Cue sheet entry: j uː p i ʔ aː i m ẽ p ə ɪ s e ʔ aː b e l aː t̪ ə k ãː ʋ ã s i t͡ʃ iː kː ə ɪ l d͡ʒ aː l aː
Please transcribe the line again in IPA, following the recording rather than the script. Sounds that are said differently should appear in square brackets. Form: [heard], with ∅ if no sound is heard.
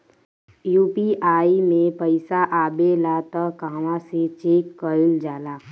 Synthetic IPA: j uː p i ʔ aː i m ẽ p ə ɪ s [a] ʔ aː b e l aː t̪ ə k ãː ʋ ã s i t͡ʃ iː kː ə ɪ l d͡ʒ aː l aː

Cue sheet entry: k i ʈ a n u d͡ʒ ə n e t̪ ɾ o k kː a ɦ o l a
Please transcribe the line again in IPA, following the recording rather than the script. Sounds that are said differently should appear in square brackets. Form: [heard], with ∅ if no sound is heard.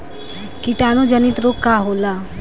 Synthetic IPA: k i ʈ a n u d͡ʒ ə n [i] t̪ ɾ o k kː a ɦ o l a

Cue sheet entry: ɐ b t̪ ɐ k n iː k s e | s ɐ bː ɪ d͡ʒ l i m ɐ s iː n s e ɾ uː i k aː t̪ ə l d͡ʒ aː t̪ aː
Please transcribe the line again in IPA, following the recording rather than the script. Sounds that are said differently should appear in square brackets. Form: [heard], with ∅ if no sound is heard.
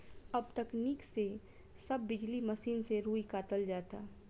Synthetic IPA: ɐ b t̪ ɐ k n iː k s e | s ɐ bː ɪ d͡ʒ l i m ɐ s iː n s e ɾ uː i k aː t̪ ə l d͡ʒ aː t̪ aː

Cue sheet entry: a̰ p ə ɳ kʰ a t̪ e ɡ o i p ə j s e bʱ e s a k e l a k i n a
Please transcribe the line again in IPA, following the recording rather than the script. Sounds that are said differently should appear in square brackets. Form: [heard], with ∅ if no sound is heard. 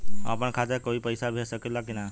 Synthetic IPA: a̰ p ə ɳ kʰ a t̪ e [k] o i p ə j s [a] bʱ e s [ə] k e l a k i n a

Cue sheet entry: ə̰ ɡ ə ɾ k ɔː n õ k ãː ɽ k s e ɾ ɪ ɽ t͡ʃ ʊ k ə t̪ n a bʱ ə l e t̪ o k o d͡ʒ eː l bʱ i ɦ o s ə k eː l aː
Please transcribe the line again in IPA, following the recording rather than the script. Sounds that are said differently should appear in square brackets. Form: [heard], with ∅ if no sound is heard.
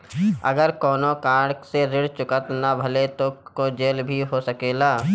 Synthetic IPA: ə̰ ɡ ə ɾ k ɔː n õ k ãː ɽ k s e ɾ ɪ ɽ t͡ʃ ʊ k ə t̪ n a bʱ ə l e t̪ o k o d͡ʒ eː l bʱ i ɦ o s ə k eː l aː

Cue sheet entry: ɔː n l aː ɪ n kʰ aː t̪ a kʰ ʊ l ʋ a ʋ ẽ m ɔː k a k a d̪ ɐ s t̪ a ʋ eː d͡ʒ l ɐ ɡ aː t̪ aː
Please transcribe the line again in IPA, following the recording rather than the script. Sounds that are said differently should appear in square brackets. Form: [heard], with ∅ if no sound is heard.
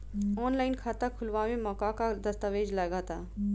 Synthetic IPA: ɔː n l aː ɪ n kʰ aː t̪ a kʰ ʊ l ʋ a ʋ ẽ m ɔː k a k a d̪ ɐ s t̪ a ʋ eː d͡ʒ l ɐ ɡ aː t̪ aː

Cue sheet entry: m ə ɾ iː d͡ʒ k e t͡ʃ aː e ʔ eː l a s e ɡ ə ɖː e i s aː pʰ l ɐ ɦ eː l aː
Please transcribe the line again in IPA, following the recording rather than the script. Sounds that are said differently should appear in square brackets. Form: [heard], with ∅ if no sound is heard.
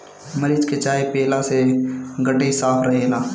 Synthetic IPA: m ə ɾ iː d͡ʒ k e t͡ʃ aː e [p] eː l a s e ɡ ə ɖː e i s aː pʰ [ɾ] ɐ ɦ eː l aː

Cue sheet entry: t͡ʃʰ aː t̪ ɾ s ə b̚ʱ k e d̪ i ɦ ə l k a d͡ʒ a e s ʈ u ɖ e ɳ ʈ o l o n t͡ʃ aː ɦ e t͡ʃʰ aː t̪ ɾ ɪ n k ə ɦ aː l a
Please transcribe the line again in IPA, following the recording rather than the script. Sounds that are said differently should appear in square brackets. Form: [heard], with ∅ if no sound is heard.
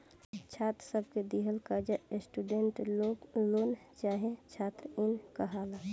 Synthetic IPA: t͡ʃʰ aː t̪ ɾ s ə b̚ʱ k e d̪ i ɦ ə l k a d͡ʒ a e s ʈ u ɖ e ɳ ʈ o l o n t͡ʃ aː ɦ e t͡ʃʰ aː t̪ ɾ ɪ n k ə ɦ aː l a

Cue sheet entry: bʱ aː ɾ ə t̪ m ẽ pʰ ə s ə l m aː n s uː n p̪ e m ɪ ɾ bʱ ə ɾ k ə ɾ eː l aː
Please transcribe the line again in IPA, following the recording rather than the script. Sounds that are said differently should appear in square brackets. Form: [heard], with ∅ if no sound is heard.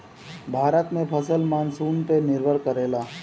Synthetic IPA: bʱ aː ɾ ə t̪ m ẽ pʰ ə s ə l m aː n s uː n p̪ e [n] ɪ ɾ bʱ ə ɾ k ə ɾ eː l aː

